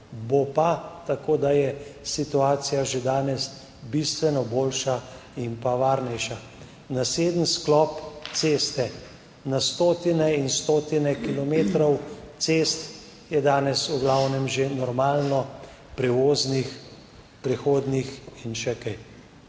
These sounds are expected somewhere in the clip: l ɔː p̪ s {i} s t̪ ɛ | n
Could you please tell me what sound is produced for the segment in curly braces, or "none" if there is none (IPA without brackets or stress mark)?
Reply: e